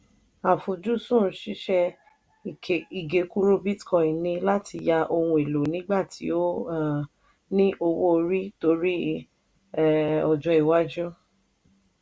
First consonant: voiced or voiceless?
voiceless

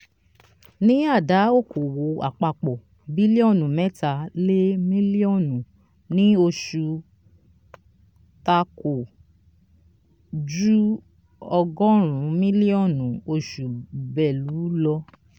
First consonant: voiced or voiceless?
voiced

